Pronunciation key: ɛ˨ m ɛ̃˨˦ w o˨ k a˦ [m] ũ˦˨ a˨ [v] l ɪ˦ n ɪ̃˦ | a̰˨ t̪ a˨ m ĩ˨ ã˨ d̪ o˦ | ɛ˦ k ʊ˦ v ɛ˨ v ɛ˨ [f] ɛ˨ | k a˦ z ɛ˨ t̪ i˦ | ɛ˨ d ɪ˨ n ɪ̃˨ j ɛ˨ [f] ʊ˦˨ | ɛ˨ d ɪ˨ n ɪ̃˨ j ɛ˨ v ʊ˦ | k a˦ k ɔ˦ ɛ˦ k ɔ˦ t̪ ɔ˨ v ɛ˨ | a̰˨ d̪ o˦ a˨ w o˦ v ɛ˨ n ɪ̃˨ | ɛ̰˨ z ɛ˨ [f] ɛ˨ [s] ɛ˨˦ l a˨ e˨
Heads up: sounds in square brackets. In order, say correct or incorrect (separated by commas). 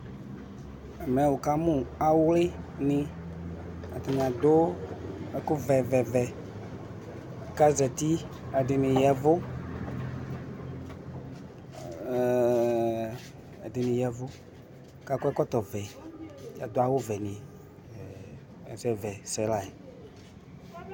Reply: correct, incorrect, incorrect, incorrect, incorrect, correct